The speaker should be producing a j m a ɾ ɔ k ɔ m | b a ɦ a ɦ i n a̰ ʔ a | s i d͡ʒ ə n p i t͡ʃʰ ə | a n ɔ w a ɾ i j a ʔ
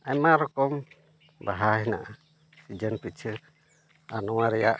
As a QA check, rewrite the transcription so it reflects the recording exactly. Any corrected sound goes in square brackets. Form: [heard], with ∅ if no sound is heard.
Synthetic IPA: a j m a ɾ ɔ k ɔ m | b a ɦ a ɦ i n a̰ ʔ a | s i d͡ʒ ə n p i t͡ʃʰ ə | a n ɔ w a ɾ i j a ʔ